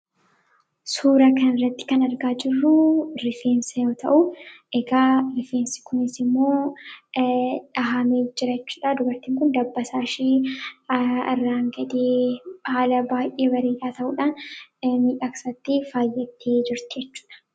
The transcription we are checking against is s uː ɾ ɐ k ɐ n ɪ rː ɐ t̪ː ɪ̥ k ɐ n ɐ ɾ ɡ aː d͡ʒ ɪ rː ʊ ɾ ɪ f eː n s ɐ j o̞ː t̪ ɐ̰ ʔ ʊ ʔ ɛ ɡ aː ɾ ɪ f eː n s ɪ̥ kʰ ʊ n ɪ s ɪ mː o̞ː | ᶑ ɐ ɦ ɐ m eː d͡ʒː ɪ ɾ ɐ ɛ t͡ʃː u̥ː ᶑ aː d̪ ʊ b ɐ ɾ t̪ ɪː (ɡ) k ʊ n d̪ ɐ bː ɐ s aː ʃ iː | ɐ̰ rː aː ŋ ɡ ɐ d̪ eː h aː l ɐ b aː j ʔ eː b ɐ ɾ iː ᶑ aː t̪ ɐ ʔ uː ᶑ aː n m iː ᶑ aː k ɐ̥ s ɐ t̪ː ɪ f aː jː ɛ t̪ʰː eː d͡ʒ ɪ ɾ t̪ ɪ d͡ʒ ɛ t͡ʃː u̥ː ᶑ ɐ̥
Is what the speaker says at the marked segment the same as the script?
no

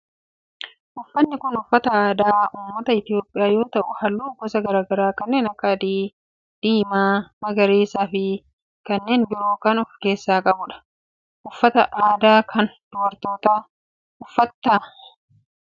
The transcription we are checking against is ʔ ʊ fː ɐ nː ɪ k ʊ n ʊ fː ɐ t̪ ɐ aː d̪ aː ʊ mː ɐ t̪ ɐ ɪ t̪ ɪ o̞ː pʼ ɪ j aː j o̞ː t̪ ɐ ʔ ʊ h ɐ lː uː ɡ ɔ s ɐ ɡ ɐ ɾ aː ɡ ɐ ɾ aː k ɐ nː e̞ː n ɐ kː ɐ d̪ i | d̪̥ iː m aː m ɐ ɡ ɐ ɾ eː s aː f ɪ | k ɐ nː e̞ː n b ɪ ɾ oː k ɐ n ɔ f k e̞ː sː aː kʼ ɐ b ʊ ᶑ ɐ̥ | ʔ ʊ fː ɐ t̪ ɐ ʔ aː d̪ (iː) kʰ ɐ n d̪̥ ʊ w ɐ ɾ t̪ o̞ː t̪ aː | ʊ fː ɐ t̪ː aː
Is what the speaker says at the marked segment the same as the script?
no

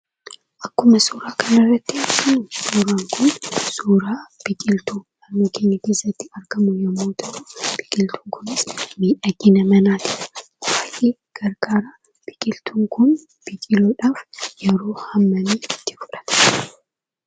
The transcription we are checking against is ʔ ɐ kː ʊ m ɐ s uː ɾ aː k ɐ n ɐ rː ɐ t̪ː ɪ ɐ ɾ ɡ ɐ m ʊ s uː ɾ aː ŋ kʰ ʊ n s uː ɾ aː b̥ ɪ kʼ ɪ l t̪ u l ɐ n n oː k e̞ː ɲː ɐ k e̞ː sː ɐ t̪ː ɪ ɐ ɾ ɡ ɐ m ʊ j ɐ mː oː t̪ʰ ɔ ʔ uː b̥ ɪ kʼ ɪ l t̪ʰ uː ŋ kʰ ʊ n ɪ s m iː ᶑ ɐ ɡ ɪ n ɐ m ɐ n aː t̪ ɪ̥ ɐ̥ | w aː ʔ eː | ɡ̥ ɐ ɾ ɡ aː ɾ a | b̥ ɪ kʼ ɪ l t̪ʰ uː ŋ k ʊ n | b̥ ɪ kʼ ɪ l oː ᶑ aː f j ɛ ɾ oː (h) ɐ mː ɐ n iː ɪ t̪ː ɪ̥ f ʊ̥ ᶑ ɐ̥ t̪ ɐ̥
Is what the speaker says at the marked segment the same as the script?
yes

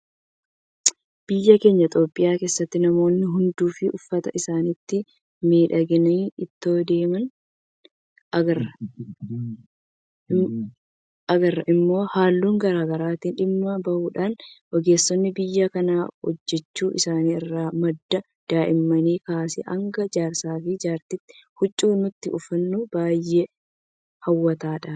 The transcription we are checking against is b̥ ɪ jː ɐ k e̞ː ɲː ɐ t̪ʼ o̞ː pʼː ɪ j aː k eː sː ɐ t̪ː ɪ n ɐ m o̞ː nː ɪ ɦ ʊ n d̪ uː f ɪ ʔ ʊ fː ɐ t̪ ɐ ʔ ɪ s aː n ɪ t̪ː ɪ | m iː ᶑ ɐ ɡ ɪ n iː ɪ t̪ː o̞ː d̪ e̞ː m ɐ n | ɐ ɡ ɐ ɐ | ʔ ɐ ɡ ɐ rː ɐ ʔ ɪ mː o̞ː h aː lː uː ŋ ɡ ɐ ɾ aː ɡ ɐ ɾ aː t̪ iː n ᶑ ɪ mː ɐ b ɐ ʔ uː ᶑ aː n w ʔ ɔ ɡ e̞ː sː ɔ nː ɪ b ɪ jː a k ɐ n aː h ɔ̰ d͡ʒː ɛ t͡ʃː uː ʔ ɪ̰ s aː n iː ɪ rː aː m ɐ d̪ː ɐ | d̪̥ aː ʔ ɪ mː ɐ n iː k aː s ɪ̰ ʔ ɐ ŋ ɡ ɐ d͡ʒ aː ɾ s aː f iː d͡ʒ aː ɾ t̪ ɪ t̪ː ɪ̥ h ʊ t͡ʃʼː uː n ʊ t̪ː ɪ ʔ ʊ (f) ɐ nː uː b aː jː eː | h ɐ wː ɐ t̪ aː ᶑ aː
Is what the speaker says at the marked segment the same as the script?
yes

